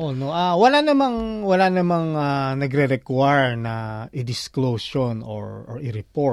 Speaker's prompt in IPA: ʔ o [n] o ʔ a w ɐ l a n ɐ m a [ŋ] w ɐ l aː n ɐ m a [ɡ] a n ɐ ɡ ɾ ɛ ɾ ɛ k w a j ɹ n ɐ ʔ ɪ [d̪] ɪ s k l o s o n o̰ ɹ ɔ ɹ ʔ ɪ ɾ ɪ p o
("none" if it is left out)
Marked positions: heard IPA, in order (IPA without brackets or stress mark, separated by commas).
n, ŋ, ŋ, d̪